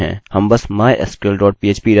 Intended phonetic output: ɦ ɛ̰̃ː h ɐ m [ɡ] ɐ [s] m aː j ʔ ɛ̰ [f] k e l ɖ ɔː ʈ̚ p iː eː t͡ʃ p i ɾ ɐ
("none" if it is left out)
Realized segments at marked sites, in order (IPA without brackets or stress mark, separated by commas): b, s, s